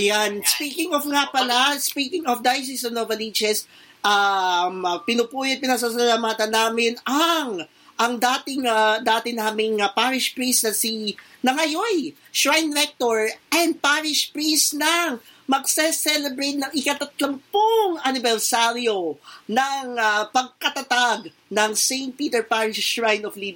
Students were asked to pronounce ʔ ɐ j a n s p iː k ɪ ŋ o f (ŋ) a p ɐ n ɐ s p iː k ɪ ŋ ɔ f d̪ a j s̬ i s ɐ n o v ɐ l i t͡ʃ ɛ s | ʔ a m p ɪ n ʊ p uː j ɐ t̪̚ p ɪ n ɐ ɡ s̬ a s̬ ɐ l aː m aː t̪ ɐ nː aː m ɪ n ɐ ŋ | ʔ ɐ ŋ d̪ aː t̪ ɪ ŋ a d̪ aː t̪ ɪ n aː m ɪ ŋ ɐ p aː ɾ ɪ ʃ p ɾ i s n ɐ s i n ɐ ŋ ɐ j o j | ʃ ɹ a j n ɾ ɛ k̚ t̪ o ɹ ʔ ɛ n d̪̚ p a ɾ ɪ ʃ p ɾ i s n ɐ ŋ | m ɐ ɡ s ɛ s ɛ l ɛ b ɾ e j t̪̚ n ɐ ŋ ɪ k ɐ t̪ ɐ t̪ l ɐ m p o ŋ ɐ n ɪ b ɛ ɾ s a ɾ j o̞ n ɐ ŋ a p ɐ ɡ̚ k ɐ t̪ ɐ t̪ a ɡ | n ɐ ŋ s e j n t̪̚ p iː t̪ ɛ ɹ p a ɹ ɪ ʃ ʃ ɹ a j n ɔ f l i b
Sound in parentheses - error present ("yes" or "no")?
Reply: no